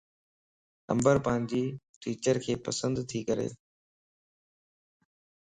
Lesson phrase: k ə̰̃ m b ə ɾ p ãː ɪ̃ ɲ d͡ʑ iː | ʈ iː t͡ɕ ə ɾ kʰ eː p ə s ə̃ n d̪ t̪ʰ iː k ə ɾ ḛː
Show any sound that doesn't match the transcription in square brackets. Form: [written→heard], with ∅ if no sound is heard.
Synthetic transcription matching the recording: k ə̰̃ m b ə ɾ p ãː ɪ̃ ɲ d͡ʑ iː | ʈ iː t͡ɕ ə ɾ kʰ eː p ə s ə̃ n d̪ t̪ʰ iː k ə ɾ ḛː